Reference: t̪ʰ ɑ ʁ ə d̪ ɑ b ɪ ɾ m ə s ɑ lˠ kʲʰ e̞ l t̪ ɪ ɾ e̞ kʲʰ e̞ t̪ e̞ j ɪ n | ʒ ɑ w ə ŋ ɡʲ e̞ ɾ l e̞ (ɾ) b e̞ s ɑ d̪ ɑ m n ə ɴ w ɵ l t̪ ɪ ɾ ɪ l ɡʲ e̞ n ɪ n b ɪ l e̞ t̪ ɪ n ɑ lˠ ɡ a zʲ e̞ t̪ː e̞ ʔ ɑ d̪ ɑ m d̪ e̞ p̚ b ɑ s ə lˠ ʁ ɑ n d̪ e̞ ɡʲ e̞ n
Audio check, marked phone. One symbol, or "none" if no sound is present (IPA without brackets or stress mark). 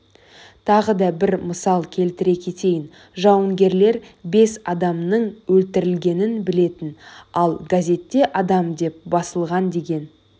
ɾ